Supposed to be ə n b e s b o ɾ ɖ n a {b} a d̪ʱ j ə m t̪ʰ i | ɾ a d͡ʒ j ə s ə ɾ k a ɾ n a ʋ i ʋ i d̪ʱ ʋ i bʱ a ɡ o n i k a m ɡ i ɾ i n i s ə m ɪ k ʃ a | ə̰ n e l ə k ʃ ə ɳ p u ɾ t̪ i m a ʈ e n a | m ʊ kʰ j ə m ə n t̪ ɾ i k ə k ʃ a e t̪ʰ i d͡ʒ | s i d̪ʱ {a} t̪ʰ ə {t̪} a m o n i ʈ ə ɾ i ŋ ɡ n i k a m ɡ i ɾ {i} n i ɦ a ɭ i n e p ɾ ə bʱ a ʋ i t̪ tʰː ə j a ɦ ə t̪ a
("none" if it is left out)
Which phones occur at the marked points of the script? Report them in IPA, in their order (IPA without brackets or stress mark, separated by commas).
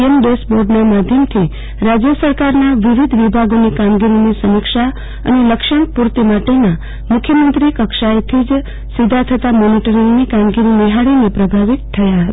m, a, t̪, i